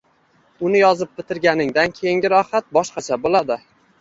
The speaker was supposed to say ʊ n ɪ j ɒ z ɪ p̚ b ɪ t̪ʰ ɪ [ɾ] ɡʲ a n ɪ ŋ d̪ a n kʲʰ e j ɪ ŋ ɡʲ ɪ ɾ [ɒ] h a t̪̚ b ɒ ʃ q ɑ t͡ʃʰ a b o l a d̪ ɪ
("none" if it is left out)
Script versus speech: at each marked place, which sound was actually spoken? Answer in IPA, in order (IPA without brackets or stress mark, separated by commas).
ɾ, ɒ